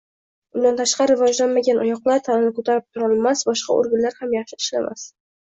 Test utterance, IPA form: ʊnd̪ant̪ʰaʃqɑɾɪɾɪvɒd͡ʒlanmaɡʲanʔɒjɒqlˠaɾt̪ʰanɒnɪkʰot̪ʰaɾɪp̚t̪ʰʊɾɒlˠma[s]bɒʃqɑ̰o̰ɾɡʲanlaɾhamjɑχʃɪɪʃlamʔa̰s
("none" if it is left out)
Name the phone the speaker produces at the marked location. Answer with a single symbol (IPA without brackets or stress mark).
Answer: s